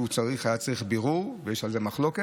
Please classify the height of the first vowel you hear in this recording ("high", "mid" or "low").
high